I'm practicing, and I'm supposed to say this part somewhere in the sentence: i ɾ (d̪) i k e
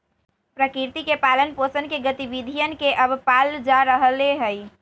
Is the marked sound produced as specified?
no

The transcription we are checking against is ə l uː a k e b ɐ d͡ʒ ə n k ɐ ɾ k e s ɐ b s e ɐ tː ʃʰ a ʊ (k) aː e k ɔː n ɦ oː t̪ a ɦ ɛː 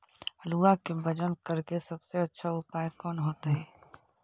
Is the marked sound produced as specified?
no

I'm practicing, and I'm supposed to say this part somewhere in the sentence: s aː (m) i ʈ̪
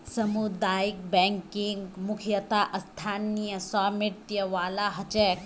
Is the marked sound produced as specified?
yes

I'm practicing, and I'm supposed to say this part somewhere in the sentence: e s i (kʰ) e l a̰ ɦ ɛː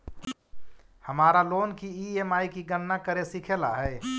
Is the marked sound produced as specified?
yes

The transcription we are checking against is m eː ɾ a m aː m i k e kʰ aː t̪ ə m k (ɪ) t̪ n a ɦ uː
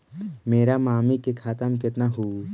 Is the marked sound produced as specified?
yes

